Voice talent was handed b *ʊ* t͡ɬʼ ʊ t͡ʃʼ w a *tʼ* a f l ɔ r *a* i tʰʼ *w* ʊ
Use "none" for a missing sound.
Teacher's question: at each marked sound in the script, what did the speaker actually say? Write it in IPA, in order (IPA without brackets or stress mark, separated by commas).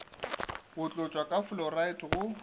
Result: ʊ, kʼ, a, ɣ